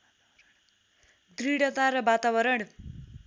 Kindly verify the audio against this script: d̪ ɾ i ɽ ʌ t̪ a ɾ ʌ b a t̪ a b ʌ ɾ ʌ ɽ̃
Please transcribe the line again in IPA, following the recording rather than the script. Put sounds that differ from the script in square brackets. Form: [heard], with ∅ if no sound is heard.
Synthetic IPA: d̪ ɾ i ɽ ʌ t̪ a ɾ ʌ b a t̪ a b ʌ ɾ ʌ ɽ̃